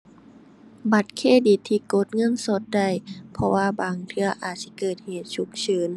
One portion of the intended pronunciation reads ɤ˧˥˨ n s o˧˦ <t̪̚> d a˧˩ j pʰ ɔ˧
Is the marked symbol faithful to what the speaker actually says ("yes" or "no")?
yes